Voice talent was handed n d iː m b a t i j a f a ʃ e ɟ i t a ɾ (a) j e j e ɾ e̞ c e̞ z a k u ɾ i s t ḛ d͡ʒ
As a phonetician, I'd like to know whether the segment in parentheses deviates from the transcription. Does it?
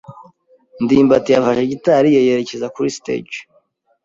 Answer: yes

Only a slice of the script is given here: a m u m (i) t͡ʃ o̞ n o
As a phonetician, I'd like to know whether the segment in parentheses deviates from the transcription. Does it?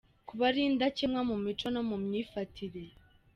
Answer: no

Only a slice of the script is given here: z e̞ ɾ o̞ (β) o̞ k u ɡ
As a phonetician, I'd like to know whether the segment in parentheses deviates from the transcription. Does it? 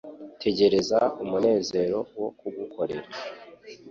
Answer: yes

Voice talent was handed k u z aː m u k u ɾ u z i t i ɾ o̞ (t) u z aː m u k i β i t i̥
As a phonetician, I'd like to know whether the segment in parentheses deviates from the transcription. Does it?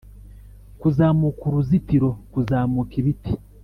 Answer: yes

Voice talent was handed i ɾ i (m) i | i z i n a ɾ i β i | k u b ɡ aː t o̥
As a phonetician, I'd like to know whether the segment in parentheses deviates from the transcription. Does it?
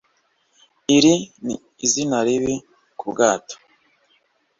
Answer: yes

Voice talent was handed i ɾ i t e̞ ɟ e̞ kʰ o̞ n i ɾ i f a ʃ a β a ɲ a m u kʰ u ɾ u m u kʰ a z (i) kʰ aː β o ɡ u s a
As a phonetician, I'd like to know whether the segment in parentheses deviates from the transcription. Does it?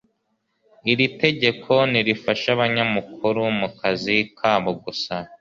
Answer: no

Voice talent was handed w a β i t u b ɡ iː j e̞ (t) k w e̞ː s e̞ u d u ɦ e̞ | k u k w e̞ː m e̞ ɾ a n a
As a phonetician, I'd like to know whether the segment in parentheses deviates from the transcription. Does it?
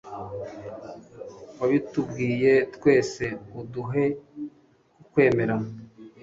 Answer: no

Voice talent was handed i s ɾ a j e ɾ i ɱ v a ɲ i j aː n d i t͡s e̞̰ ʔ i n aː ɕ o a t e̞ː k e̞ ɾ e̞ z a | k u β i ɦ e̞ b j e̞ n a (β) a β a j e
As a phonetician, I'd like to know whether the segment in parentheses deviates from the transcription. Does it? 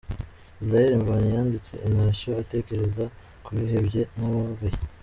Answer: no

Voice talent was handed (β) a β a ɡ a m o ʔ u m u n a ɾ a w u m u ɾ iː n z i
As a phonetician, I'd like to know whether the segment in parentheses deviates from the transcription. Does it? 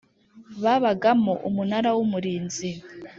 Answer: no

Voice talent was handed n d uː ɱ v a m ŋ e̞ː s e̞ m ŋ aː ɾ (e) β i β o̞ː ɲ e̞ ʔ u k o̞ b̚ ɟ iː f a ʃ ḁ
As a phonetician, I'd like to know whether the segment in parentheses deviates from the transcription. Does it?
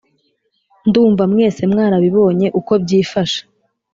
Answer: yes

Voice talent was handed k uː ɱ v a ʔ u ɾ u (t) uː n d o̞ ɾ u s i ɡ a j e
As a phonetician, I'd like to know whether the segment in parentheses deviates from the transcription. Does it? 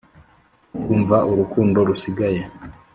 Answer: yes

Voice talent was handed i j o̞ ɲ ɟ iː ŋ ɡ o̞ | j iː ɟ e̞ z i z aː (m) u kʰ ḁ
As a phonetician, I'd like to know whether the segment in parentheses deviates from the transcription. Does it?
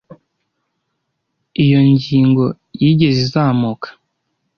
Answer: no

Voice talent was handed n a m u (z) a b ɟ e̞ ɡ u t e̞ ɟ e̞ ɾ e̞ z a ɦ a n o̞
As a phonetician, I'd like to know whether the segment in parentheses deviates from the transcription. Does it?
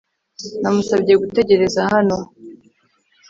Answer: yes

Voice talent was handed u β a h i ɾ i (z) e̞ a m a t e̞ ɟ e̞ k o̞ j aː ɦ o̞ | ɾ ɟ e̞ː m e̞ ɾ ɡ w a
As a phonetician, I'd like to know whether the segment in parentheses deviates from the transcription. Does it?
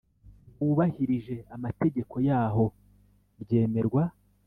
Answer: yes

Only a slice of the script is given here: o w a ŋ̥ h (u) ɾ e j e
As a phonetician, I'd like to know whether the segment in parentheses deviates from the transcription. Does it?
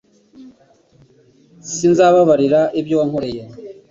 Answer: yes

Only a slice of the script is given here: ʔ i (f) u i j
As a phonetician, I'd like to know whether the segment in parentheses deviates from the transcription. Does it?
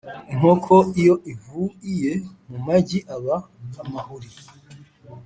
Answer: yes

